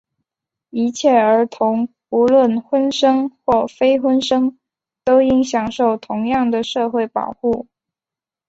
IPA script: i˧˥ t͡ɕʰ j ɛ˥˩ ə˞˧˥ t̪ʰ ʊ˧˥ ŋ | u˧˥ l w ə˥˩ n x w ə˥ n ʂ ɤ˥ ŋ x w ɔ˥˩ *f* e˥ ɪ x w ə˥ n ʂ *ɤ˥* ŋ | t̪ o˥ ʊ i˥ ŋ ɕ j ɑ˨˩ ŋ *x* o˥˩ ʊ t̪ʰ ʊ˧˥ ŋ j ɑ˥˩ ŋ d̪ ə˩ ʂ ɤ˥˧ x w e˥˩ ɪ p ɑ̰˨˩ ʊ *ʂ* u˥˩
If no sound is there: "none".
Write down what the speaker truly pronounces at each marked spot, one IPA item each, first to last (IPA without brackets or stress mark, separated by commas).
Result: f, ɤ˥, ʂ, x